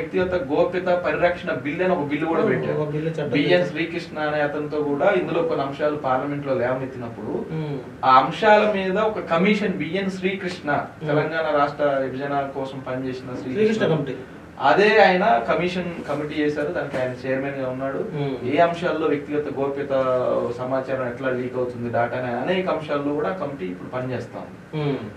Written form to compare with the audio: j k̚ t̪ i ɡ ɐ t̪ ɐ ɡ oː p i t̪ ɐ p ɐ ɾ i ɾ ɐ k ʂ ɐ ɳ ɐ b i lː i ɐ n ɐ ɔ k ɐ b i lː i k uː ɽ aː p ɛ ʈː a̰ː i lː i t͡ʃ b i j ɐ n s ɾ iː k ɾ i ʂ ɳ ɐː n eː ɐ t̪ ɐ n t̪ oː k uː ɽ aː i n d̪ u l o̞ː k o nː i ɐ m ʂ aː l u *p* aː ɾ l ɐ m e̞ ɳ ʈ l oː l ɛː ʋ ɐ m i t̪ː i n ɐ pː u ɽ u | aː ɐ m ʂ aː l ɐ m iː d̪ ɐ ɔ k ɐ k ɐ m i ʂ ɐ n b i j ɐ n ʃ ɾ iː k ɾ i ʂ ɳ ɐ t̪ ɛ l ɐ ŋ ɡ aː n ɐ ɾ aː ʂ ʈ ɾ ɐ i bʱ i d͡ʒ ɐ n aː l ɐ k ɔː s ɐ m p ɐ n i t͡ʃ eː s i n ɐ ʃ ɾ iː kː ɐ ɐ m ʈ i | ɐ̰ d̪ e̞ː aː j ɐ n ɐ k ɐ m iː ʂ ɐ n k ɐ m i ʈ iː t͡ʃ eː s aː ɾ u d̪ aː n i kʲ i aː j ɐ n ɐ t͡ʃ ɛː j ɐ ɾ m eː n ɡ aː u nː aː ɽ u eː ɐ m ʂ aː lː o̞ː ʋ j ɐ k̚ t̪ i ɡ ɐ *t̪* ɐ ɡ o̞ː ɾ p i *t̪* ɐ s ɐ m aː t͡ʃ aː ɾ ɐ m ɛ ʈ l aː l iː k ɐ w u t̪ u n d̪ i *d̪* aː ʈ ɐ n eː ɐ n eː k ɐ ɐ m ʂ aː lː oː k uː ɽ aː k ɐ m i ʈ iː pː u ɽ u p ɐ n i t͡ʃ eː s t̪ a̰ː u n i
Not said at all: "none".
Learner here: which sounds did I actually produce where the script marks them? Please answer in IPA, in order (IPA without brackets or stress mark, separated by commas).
p, t̪, t̪, d̪